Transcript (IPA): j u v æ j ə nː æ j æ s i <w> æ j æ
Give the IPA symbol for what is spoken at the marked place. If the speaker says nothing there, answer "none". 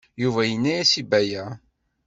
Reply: b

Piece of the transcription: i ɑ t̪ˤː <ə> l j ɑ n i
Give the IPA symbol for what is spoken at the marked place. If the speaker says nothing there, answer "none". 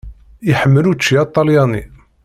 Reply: ɑ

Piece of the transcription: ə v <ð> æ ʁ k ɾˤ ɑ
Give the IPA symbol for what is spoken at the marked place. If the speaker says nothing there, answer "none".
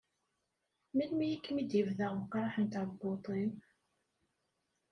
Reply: ð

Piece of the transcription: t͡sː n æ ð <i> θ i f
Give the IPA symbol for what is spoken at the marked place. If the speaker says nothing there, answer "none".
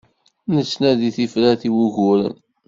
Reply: i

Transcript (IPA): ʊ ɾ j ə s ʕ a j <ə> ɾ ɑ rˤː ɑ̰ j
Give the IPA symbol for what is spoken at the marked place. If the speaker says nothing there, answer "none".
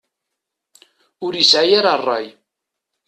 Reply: a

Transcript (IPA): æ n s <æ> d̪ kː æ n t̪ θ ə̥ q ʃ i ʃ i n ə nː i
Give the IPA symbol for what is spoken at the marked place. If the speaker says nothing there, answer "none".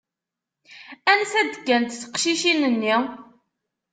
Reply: æ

